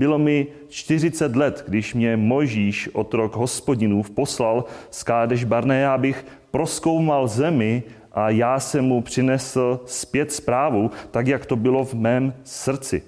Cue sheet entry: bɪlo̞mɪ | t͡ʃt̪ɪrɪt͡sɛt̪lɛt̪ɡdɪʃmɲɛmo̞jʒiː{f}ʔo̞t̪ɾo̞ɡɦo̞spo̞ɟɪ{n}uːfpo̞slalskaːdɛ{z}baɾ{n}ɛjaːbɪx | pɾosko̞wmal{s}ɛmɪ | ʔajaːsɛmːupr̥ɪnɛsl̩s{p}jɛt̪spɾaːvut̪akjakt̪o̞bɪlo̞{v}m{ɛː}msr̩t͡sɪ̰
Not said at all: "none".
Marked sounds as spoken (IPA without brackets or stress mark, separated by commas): ʃ, n, ʒ, n, z, p, v, ɛː